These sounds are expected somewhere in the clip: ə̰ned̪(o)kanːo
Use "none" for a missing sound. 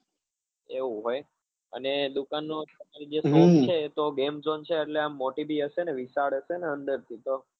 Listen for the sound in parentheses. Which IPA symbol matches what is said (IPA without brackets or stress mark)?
u